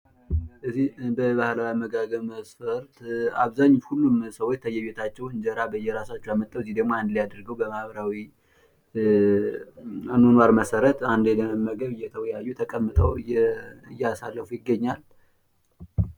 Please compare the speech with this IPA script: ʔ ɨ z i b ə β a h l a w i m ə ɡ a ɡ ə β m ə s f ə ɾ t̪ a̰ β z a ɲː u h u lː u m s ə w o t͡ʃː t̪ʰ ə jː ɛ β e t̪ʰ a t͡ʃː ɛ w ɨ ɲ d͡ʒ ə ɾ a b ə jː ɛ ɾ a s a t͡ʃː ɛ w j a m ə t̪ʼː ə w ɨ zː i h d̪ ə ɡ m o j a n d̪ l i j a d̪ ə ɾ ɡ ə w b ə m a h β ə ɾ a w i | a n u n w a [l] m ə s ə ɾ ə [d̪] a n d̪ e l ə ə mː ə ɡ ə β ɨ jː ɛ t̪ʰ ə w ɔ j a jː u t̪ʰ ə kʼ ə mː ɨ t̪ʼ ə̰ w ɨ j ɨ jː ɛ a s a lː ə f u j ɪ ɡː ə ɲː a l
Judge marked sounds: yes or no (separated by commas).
no, no